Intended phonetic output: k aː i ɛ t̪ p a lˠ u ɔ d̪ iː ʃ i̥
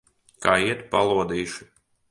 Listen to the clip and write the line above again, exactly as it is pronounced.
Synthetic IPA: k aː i ɛ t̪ p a lˠ u ɔ d̪ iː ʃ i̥

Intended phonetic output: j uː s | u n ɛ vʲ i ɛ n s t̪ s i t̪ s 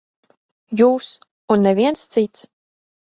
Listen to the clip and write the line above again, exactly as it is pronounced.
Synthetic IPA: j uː s | u nː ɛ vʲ i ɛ n s t̪ s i t̪ s

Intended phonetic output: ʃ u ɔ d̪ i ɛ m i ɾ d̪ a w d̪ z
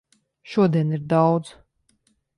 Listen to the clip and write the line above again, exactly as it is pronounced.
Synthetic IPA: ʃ u ɔ d̪ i ɛ n i ɾ d̪ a w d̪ z

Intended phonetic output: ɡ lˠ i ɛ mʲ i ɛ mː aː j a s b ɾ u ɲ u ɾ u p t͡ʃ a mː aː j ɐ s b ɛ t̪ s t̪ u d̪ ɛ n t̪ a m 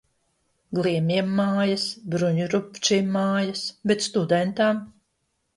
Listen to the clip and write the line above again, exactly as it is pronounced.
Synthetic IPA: ɡ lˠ i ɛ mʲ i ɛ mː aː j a s b ɾ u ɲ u ɾ u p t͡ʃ i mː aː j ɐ s b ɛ t̪ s t̪ u d̪ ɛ n t̪ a m

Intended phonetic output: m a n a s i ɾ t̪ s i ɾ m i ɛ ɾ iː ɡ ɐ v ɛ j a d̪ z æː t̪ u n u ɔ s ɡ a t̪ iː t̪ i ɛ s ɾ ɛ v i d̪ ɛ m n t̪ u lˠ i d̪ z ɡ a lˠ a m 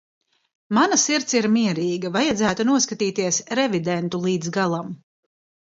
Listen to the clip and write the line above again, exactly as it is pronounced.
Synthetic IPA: m a n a s i ɾ t̪ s i ɾ m i ɛ ɾ iː ɡ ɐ v a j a d̪ z æː t̪ u n u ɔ s k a t̪ iː t̪ i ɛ s ɾ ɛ v i d̪ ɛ n t̪ u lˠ iː d̪ z ɡ a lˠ a m

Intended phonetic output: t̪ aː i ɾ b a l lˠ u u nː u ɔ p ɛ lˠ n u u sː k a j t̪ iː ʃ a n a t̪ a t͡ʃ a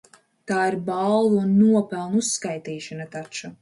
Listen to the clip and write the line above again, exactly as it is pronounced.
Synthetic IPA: t̪ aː i ɾ b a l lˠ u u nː u ɔ p ɛ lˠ n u u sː k a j t̪ iː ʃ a n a t̪ a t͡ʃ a

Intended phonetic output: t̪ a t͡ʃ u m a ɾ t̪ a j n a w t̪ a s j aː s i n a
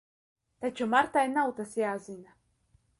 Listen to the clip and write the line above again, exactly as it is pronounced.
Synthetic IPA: t̪ a t͡ʃ u m a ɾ t̪ a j n a w t̪ a s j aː z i n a

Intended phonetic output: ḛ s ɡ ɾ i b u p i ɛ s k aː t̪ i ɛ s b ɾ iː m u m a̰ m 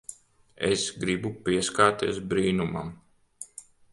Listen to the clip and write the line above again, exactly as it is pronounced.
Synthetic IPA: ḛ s ɡ ɾ i b u p i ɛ s k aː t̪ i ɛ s b ɾ iː n u m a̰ m

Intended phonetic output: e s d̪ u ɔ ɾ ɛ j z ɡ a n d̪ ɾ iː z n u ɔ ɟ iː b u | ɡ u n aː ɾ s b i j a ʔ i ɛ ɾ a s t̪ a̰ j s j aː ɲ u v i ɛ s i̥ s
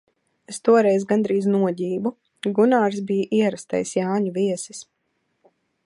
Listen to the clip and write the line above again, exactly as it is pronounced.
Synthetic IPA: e s t̪ u ɔ ɾ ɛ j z ɡ a n d̪ ɾ iː z n u ɔ ɟ iː b u | ɡ u n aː ɾ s b i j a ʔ i ɛ ɾ a s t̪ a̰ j s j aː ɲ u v i ɛ s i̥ s

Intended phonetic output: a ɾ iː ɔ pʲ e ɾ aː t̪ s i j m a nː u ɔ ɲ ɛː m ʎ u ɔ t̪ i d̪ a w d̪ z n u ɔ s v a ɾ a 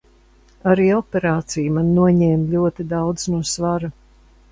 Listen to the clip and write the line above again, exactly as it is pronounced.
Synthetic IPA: a ɾ iː ɔ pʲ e ɾ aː t̪ s i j m a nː u ɔ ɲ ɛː m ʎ u ɔ t̪ i d̪ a w d̪ z n u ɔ s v a ɾ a

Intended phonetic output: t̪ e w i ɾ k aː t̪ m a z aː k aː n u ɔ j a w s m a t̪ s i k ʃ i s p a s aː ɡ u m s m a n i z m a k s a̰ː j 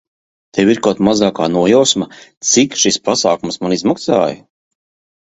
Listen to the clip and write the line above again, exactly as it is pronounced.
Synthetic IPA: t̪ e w i ɾ k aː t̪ m a z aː k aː n u ɔ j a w s m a t̪ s i k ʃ i s p a s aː k u m s m a n i z m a k s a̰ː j

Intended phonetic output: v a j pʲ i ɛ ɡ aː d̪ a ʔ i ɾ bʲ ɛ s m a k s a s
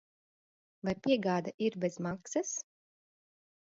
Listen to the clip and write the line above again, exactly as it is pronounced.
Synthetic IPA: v a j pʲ i ɛ ɡ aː d̪ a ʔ i ɾ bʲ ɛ z m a k s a s

